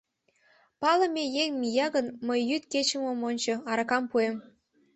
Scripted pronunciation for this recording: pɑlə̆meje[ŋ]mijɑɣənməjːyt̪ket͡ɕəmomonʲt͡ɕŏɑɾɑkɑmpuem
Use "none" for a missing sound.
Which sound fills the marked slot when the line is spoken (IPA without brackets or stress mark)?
ŋ